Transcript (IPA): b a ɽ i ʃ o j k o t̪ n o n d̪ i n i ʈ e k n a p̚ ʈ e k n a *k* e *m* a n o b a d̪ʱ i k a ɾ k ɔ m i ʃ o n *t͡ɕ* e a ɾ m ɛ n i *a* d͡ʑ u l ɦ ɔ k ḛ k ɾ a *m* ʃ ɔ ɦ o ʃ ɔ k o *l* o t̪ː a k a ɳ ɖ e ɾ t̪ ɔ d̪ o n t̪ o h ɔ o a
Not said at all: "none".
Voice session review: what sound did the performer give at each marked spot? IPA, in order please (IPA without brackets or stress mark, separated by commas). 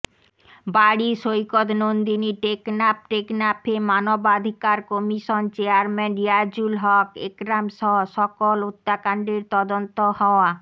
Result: p, m, t͡ɕ, a, m, l